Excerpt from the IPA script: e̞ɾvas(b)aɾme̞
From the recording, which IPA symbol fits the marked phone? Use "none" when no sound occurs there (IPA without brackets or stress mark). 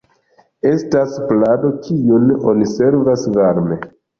v